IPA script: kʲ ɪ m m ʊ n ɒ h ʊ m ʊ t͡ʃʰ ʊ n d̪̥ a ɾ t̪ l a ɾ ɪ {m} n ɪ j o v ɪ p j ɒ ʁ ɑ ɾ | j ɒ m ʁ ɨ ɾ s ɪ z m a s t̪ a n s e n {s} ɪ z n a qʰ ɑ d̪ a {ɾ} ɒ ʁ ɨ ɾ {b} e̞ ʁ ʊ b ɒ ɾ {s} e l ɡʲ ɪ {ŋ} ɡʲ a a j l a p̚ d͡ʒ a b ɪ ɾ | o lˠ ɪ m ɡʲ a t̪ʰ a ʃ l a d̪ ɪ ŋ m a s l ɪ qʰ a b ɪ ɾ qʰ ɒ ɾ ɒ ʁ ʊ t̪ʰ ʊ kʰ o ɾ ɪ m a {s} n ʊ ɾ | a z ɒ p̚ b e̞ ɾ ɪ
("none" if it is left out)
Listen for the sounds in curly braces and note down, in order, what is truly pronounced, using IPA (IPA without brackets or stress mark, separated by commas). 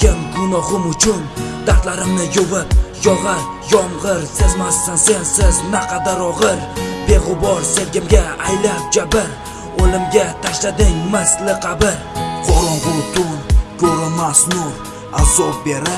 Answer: m, s, ɾ, b, s, m, s